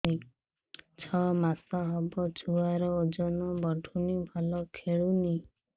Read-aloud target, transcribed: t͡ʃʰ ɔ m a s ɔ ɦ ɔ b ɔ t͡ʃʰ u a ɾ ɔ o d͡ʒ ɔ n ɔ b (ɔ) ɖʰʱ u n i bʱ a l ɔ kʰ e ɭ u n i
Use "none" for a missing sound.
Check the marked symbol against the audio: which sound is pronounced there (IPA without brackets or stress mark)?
ɔ